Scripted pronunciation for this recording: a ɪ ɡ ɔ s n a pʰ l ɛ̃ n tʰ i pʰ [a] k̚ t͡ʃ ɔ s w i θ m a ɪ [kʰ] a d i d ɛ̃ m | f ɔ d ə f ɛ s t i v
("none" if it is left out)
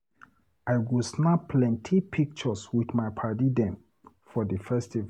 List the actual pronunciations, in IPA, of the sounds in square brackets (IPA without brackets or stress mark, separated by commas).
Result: i, pʰ